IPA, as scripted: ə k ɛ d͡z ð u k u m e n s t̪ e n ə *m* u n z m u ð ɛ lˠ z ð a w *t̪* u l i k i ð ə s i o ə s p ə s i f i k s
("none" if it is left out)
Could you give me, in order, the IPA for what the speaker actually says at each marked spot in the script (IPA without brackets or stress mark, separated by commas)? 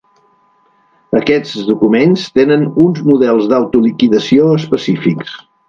n, t̪